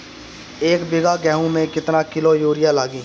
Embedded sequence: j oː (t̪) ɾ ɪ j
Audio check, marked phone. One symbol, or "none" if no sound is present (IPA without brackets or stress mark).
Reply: none